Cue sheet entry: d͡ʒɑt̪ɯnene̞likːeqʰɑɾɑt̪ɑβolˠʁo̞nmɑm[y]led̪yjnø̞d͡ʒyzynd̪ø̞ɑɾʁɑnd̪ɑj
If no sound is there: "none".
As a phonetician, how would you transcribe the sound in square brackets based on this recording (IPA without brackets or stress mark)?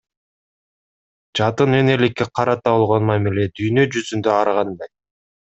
i